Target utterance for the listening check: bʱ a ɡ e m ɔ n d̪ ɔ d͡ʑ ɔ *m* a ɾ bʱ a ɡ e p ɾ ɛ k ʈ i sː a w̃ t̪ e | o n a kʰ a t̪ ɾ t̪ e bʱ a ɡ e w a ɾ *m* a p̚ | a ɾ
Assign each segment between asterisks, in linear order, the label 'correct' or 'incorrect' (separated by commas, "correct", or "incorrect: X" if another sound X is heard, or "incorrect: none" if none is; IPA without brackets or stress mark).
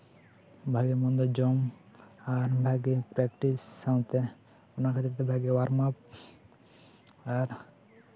correct, correct